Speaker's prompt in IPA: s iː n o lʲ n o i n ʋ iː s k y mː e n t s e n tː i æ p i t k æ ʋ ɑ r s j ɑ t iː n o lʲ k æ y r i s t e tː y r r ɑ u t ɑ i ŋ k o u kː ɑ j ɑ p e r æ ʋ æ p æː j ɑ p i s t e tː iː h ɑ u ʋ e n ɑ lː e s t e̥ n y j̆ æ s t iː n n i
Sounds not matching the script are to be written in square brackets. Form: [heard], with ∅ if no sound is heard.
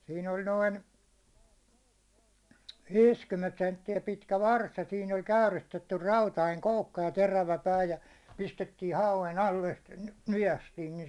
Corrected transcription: s iː n o lʲ n o i n ʋ iː s k y mː e n t s e n tː i æ p i t k æ ʋ ɑ r s j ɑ [s] iː n o lʲ k æ y r i s t e tː y r r ɑ u t ɑ i ŋ k o u kː ɑ j ɑ [t] e r æ ʋ æ p æː j ɑ p i s t e tː iː h ɑ u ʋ e n ɑ lː e s t e̥ n y j̆ æ s t iː n n i